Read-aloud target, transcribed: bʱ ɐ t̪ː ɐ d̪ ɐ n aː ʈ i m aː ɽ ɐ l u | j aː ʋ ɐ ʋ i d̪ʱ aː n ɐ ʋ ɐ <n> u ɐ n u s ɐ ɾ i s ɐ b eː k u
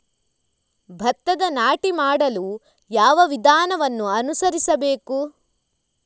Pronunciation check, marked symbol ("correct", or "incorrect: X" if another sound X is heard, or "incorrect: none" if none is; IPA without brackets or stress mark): incorrect: nː